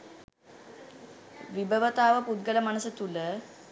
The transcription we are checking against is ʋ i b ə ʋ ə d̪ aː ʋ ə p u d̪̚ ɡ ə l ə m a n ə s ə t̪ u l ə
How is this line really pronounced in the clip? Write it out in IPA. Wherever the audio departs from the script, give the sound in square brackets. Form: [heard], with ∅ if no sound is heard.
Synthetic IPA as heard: ʋ i b ə ʋ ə [t̪] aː ʋ ə p u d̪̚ ɡ ə l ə m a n ə s ə t̪ u l ə

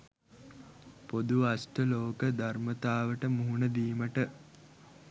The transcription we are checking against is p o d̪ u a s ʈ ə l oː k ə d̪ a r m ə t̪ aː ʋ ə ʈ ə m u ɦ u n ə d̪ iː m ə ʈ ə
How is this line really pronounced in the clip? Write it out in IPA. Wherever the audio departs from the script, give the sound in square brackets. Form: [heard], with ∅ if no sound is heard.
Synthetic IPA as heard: p o d̪ u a s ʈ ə l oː k ə d̪ a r m ə t̪ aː ʋ ə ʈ ə m u ɦ u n ə d̪ iː m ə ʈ ə

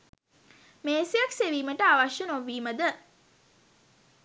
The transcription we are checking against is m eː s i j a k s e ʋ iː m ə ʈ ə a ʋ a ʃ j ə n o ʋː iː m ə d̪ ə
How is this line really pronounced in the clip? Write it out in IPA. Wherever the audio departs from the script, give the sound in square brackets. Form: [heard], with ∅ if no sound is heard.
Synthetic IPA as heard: m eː s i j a k s e ʋ iː m ə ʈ ə a ʋ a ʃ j ə n o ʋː iː m ə d̪ ə

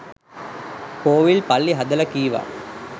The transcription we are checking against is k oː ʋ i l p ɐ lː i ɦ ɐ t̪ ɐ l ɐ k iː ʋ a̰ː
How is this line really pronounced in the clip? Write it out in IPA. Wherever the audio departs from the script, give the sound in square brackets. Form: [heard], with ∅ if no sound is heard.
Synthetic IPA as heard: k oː ʋ i l p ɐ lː i ɦ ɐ [d̪] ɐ l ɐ k iː ʋ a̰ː

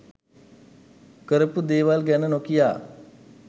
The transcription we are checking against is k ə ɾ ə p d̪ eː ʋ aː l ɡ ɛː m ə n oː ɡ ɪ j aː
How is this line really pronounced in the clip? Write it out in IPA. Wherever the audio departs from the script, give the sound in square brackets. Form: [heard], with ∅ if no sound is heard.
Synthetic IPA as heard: k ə ɾ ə p d̪ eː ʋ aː l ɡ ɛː [n] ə n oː [k] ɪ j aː

